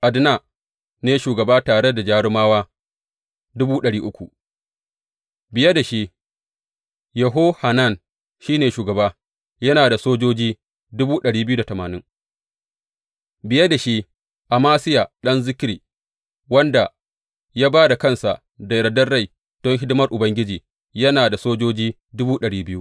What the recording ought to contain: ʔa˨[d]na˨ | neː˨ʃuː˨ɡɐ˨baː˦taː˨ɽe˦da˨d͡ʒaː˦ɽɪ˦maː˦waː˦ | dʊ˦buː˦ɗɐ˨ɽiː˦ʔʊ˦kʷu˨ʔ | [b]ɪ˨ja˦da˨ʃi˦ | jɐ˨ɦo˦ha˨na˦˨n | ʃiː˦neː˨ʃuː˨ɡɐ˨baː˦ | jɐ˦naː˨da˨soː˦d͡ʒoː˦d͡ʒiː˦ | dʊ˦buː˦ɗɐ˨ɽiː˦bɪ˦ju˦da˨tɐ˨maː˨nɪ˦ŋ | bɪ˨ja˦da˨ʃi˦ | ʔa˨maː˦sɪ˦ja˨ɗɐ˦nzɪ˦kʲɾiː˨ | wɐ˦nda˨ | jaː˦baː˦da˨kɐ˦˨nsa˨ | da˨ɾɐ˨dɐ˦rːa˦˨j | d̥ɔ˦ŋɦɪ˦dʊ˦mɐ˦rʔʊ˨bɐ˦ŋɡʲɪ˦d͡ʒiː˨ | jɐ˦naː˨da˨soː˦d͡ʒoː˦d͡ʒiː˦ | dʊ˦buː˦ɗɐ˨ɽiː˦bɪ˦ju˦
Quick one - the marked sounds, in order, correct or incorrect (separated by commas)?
correct, correct